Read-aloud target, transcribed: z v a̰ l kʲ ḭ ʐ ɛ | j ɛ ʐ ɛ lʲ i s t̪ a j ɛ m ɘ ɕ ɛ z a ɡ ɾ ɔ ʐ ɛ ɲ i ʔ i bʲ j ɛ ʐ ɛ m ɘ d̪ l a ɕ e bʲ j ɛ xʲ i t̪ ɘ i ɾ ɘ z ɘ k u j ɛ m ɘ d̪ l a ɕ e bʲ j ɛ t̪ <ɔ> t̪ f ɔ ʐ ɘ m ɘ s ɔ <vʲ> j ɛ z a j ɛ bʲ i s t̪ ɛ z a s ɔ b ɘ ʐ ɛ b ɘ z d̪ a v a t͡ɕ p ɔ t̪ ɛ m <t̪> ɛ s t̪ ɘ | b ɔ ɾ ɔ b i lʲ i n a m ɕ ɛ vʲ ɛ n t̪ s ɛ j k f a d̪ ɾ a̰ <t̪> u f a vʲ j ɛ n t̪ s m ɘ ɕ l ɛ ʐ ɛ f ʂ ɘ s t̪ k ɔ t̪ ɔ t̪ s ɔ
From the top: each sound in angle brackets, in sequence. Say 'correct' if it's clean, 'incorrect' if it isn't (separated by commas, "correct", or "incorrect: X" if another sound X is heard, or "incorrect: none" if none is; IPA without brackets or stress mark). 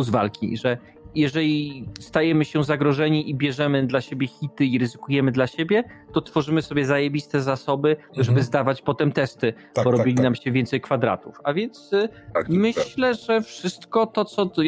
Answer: correct, incorrect: bʲ, correct, correct